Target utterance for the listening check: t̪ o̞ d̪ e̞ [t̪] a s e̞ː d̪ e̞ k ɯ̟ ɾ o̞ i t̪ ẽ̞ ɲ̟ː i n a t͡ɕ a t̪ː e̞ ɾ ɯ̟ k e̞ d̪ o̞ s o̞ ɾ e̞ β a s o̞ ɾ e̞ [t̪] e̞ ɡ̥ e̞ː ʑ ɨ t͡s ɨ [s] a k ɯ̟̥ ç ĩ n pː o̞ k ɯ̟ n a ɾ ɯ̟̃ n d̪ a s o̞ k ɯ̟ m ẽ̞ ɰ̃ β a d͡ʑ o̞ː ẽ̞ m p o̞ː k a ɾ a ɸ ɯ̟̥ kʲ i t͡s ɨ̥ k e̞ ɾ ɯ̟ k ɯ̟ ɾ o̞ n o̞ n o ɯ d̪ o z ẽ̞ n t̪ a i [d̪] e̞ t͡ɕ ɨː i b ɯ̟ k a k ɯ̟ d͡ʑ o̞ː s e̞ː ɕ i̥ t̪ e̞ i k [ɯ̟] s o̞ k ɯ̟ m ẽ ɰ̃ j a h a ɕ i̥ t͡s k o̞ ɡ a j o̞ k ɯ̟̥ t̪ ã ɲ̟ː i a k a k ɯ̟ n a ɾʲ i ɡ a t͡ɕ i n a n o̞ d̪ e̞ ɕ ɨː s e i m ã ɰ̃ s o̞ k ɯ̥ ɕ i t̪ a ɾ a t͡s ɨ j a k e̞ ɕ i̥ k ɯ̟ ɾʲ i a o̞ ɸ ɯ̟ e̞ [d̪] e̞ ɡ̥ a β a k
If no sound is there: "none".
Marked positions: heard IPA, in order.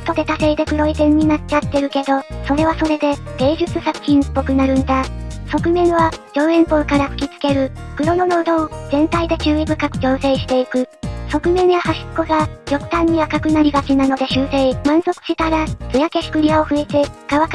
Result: t̪, d̪, s, d̪, ɯ̟, t̪

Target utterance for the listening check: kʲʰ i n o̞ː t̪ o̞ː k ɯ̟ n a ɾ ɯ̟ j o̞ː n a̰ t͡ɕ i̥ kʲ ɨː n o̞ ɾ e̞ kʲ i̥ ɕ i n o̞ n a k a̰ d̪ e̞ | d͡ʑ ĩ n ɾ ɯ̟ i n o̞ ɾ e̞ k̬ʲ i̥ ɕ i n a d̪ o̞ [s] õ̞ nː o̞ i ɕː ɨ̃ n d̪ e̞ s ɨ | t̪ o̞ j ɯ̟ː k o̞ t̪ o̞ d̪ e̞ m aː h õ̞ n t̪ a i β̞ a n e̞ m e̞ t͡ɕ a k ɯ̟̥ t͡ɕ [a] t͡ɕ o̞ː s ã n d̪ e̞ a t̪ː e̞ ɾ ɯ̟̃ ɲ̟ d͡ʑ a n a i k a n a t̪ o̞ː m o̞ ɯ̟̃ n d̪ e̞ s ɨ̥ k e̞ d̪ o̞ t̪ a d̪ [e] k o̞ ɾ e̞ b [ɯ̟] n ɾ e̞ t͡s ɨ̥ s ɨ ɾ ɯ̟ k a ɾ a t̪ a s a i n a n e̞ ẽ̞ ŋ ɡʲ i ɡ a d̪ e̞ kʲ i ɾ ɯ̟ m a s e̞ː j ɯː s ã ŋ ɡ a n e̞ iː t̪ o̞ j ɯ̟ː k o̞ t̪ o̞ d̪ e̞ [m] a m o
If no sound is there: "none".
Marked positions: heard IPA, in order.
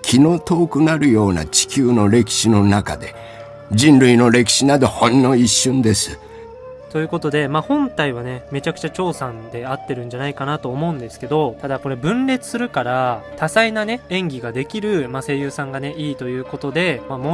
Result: h, a, a, ɯ̟̃, m

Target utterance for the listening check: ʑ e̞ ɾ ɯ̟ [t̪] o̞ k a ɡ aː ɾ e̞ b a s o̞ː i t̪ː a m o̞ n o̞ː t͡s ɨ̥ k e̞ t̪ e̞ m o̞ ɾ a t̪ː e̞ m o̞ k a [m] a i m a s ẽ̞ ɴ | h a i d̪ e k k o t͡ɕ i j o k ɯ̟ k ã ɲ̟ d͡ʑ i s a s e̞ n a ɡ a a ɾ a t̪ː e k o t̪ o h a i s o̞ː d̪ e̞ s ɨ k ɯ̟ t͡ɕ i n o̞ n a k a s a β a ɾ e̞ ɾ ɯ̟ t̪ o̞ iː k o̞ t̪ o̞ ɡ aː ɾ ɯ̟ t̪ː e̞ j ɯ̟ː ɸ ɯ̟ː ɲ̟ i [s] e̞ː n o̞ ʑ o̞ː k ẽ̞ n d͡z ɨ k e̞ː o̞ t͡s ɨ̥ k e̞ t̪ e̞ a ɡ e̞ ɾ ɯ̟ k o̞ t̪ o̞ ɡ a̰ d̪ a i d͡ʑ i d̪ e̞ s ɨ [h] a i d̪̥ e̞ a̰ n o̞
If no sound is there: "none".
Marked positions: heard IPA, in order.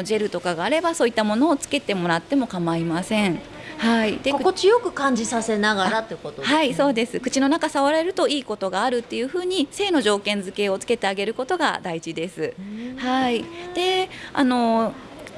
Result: t̪, m, s, h

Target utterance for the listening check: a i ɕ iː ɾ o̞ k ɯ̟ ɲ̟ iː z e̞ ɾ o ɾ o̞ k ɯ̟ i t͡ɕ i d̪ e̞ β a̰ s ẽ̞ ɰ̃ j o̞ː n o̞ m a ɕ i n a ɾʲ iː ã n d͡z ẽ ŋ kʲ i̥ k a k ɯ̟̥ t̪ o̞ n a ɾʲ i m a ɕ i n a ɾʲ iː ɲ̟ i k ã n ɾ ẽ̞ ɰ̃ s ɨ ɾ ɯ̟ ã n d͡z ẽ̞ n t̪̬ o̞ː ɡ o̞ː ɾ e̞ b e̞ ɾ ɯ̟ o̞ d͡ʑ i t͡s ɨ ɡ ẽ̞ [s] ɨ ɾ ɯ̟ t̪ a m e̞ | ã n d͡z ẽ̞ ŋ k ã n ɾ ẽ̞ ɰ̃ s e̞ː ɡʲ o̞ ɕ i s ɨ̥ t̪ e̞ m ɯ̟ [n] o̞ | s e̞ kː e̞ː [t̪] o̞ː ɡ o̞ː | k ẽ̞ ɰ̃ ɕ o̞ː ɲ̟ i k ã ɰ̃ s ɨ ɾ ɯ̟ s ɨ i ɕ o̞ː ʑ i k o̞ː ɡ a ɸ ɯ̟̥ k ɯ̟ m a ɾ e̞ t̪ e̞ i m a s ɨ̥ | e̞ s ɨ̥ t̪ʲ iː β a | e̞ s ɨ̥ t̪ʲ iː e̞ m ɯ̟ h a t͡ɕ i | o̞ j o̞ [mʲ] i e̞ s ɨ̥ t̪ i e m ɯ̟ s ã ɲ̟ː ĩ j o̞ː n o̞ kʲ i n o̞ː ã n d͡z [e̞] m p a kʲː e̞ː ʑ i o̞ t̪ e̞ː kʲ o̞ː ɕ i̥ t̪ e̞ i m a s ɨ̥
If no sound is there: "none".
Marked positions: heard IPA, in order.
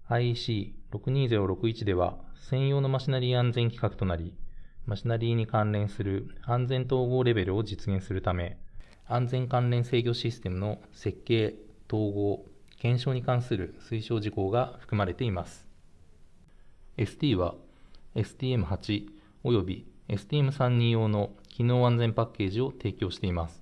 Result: s, n, t̪, bʲ, ẽ̞

